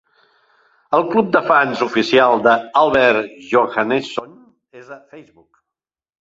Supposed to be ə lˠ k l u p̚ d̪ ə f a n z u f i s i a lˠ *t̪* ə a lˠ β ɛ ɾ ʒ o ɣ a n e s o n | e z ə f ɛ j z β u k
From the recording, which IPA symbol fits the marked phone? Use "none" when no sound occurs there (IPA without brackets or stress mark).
d̪